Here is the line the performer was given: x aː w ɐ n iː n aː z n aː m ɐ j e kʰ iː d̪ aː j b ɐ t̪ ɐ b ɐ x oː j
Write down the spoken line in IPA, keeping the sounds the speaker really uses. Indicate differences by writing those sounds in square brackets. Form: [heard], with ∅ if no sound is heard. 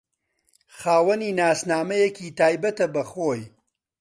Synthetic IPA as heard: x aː w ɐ n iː n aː [s] n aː m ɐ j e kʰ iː [t̪] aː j b ɐ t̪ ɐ b ɐ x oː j